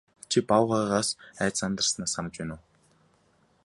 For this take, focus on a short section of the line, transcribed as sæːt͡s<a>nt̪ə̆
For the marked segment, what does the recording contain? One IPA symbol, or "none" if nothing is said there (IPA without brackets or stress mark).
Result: a